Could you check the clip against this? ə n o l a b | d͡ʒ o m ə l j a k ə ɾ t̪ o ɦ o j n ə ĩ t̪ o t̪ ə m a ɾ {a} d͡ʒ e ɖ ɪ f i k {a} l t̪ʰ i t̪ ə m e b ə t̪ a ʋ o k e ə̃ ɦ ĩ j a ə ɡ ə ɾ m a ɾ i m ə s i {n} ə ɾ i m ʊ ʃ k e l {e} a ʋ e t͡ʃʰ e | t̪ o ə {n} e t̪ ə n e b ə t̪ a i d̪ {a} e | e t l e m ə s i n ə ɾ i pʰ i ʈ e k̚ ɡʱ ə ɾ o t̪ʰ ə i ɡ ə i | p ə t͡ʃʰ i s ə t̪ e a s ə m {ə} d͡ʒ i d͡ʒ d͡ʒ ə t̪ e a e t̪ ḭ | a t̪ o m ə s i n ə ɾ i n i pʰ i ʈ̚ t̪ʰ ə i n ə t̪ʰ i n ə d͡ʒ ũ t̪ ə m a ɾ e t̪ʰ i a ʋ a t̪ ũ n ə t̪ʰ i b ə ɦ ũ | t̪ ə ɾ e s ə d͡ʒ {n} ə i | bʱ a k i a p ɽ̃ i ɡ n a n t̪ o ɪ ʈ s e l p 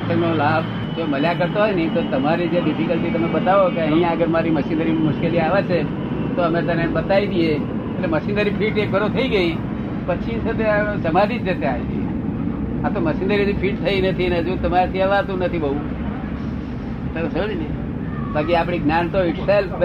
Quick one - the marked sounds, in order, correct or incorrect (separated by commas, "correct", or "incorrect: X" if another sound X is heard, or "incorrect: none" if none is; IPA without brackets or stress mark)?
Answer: incorrect: i, incorrect: ə, correct, incorrect: i, incorrect: m, incorrect: i, incorrect: a, correct